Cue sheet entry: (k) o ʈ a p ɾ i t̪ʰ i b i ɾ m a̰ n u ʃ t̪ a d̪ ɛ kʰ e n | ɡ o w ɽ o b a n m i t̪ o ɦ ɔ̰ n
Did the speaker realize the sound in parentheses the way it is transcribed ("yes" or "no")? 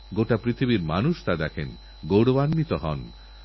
no